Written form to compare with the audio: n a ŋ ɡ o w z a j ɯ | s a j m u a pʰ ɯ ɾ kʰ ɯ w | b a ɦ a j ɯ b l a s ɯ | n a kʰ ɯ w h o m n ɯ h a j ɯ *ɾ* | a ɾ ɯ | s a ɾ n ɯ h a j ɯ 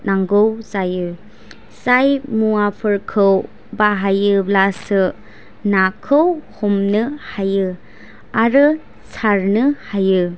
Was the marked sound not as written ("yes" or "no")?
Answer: yes